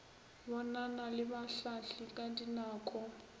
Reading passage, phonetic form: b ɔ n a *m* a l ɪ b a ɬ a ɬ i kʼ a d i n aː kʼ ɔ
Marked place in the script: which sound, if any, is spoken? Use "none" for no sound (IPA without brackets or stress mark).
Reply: n